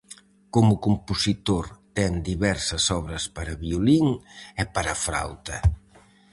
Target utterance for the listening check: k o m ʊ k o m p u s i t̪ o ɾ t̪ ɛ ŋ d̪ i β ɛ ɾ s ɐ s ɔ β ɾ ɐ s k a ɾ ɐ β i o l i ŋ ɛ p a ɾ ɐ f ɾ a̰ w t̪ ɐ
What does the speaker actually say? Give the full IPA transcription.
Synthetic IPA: k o m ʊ k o m p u s i t̪ o ɾ t̪ ɛ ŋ d̪ i β ɛ ɾ s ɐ s ɔ β ɾ ɐ s p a ɾ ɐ β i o l i ŋ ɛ p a ɾ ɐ f ɾ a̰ w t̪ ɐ